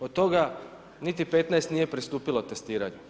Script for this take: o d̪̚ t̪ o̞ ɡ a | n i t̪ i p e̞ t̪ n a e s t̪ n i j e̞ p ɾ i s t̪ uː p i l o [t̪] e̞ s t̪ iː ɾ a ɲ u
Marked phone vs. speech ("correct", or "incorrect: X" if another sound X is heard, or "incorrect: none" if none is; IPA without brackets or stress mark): correct